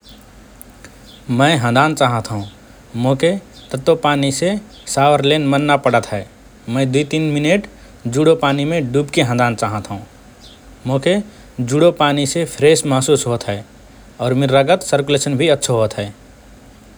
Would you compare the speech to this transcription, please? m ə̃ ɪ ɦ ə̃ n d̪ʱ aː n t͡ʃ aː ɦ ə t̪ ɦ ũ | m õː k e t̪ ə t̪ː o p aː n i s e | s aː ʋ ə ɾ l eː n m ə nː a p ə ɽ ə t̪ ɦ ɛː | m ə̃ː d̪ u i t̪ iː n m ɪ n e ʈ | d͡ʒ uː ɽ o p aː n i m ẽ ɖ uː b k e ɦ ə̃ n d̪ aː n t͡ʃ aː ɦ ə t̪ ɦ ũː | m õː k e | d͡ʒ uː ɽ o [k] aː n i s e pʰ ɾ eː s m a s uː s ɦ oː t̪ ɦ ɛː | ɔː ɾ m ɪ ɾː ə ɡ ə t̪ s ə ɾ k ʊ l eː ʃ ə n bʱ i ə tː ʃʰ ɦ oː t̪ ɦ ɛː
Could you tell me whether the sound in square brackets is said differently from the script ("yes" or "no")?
yes